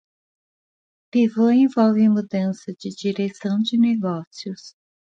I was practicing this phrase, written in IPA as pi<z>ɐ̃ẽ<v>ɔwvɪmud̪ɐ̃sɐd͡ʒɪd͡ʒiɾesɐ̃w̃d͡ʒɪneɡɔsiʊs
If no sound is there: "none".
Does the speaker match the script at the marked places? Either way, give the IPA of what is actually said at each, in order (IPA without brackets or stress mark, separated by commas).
v, v